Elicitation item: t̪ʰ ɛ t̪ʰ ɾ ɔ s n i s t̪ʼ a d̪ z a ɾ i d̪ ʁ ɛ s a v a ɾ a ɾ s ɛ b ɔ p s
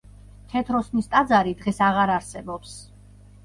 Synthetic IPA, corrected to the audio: t̪ʰ ɛ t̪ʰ ɾ ɔ s n i s t̪ʼ a d̪ z a ɾ i d̪ ʁ ɛ s a ʁ a ɾ a ɾ s ɛ b ɔ p s